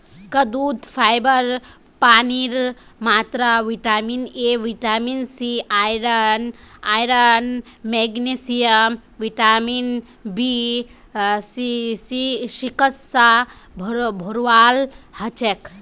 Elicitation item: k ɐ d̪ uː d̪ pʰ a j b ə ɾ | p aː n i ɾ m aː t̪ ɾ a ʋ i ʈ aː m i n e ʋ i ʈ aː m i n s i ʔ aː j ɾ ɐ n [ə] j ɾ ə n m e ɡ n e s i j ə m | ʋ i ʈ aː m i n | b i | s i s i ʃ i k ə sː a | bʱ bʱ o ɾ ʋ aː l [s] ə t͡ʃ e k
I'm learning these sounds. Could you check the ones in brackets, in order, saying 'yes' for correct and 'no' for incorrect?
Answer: no, no

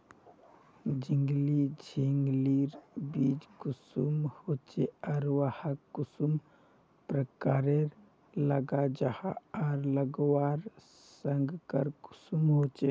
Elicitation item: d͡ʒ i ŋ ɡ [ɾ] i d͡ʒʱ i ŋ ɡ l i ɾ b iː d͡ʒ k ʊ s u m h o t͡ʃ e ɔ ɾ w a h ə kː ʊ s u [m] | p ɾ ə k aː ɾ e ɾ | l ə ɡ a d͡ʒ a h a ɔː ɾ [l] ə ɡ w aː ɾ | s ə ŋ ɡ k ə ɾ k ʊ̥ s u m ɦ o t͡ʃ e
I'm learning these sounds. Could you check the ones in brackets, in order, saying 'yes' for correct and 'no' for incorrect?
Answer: no, yes, yes

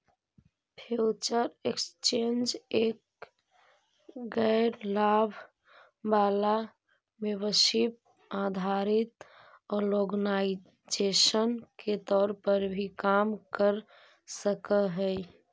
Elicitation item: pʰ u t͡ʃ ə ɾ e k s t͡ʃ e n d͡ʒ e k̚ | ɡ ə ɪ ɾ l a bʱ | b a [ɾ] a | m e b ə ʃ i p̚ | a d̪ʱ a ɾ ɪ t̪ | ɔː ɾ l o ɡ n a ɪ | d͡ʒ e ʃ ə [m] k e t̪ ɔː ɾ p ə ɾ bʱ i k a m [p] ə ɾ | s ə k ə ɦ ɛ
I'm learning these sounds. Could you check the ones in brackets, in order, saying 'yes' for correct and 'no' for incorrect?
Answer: no, no, no

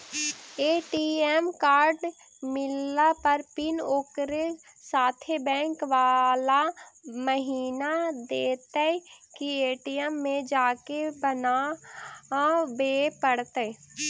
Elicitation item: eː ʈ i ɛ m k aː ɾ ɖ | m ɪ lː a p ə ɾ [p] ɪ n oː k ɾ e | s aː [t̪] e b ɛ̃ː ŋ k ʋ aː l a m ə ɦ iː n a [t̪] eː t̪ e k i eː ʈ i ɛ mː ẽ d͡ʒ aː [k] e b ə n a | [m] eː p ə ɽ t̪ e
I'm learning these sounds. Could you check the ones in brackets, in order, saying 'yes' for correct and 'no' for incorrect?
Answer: yes, no, no, yes, no

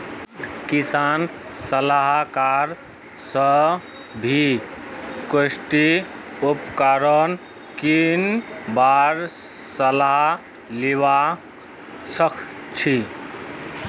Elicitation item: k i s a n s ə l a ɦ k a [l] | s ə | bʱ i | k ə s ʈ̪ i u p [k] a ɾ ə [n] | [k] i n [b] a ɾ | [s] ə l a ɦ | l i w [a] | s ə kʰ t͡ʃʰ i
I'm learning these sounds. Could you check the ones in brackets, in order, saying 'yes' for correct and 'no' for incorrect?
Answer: no, yes, yes, yes, yes, yes, yes

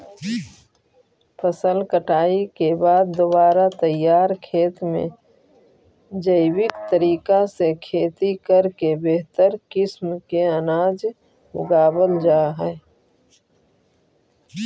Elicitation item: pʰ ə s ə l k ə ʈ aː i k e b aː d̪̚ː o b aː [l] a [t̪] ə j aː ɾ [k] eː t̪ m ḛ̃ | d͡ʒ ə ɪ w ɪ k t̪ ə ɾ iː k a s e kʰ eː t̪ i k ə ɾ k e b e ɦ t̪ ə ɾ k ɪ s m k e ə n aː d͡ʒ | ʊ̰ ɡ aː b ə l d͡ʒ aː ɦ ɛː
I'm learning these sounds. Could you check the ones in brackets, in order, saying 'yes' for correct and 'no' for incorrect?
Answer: no, yes, no

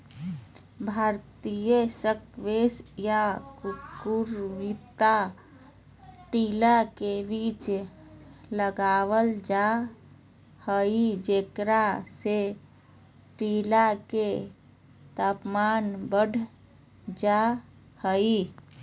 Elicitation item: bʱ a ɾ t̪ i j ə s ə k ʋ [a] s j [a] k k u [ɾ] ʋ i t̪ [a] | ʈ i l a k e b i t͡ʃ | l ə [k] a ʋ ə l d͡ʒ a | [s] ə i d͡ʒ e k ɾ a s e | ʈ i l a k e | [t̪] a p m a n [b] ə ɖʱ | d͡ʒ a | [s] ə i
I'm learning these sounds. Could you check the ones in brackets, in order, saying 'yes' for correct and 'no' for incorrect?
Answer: no, yes, yes, yes, no, no, yes, yes, no

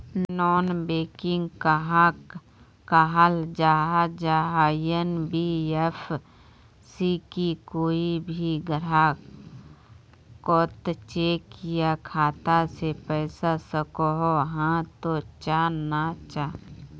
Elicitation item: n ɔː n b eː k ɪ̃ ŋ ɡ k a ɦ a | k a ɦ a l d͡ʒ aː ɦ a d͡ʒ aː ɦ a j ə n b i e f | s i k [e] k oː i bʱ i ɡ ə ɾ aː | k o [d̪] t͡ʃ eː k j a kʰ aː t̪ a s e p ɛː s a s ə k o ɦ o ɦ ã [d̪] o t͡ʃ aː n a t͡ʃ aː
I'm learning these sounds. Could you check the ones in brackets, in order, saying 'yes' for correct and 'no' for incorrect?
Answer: no, no, no

